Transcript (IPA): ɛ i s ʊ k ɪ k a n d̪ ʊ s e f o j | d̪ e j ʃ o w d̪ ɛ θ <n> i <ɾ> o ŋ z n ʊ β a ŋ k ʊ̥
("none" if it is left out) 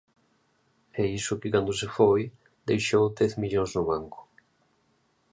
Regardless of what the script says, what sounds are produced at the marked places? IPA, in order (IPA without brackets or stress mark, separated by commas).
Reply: m, ʎ